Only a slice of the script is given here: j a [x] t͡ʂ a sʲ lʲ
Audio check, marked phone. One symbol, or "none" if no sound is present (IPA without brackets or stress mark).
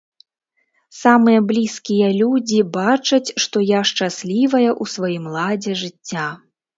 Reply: ʂ